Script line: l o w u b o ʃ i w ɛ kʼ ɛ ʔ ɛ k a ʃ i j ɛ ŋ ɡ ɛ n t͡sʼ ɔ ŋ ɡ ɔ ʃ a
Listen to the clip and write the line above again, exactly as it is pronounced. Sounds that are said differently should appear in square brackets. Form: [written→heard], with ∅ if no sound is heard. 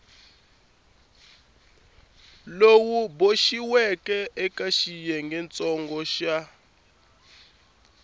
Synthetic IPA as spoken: l o w u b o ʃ i w ɛ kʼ ɛ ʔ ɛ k a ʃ i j ɛ ŋ ɡ ɛ n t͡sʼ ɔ ŋ ɡ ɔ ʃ a